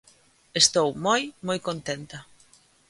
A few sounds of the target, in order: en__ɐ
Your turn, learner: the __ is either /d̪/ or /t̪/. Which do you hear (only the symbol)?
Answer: t̪